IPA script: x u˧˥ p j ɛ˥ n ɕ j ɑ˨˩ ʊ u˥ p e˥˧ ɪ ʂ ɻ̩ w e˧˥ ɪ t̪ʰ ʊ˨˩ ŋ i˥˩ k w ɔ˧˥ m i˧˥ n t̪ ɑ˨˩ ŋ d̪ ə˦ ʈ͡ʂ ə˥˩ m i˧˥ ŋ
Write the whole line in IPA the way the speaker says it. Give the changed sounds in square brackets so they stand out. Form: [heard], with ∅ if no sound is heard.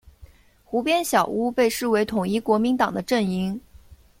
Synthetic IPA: x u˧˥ p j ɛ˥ n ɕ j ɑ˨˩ ʊ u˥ p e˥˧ ɪ ʂ ɻ̩ w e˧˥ ɪ t̪ʰ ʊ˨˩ ŋ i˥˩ k w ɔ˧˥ m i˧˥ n t̪ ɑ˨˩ ŋ d̪ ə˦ ʈ͡ʂ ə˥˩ [n] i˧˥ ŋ